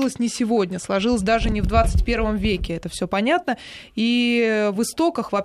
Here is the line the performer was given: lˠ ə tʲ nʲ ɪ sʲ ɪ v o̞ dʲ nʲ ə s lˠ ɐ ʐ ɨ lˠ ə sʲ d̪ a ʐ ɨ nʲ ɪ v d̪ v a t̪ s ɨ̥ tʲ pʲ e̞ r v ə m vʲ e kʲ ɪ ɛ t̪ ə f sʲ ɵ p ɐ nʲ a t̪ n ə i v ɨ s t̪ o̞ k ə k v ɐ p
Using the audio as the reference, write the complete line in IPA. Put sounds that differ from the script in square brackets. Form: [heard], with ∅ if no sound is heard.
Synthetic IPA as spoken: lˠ ə [sʲ] nʲ ɪ sʲ ɪ v o̞ dʲ nʲ ə s lˠ ɐ ʐ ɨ lˠ ə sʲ d̪ a ʐ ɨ nʲ ɪ v d̪ v a t̪ s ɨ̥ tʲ pʲ e̞ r v ə m vʲ e kʲ ɪ ɛ t̪ ə f sʲ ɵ p ɐ nʲ a t̪ n ə i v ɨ s t̪ o̞ k ə [x] v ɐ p